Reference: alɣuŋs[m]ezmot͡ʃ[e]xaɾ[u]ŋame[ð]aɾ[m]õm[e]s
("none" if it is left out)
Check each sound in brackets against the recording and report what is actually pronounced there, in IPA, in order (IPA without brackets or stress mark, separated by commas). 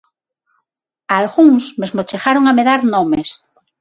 m, e, o, ð, n, e